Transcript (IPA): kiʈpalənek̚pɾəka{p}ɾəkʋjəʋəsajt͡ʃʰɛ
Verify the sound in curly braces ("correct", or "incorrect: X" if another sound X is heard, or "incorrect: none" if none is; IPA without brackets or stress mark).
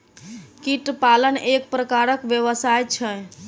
incorrect: none